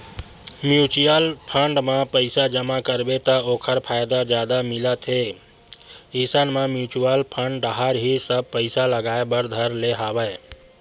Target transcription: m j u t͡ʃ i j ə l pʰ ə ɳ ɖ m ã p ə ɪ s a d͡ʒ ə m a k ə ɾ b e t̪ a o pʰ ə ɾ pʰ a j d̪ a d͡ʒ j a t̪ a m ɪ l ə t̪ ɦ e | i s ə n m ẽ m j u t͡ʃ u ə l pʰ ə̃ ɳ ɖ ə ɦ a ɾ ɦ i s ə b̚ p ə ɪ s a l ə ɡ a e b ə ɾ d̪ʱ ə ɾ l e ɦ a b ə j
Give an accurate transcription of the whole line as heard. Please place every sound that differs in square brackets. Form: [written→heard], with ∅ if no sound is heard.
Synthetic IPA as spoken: m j u t͡ʃ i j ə l pʰ ə ɳ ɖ m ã p ə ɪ s a d͡ʒ ə m a k ə ɾ b e t̪ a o [pʰ→kʰ] ə ɾ pʰ a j d̪ a d͡ʒ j a [t̪→d̪] a m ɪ l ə t̪ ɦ e | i s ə n m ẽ m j u t͡ʃ u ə l pʰ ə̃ ɳ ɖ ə ɦ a ɾ ɦ i s ə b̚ p ə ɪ s a l ə ɡ a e b ə ɾ d̪ʱ ə ɾ l e ɦ a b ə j